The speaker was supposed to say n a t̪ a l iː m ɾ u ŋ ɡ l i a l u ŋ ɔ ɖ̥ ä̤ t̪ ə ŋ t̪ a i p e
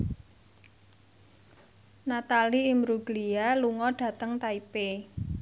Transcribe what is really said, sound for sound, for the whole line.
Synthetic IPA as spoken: n a t̪ a l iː m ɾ u ɡ l i a l u ŋ ɔ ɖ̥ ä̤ t̪ ə ŋ t̪ a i p e